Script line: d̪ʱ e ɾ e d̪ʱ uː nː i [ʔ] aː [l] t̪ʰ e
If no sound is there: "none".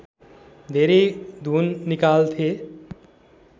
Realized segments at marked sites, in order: k, l

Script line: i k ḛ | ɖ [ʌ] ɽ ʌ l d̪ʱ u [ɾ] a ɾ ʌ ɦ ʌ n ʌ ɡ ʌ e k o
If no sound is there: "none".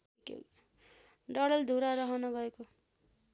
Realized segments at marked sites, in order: ʌ, ɾ

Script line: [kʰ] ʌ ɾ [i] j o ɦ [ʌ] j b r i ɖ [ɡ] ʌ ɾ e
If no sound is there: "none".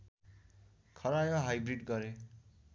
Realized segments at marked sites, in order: kʰ, a, a, ɡ

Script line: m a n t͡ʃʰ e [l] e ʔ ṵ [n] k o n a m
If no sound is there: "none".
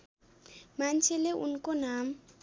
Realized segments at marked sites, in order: l, n

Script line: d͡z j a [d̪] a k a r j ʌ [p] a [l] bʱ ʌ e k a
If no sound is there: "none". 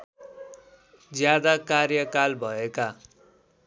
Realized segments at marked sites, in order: d̪, k, l

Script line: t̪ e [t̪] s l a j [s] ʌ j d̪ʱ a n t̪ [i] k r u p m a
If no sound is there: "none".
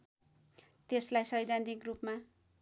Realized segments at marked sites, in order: none, s, i

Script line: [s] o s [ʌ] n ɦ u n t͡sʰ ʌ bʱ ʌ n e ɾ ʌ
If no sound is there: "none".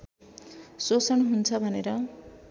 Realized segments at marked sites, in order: s, ʌ

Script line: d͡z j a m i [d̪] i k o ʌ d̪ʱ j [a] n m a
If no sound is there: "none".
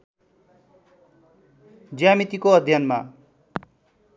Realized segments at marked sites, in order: t̪, ʌ

